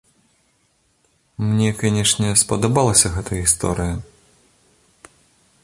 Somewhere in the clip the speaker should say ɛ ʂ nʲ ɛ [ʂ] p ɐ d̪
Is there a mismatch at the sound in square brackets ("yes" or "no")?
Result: yes